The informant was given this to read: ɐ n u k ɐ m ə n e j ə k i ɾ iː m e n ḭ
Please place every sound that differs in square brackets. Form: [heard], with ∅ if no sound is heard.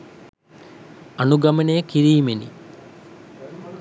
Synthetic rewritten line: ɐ n u [ɡ] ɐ m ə n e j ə k i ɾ iː m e n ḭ